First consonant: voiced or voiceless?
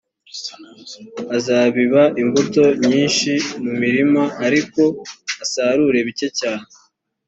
voiced